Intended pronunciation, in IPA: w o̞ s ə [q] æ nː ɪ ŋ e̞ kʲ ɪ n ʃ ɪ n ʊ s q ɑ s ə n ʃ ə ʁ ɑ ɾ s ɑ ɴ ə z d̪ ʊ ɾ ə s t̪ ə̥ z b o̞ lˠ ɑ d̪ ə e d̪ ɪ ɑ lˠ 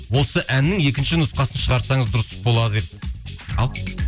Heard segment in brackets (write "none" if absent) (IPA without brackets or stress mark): ʔ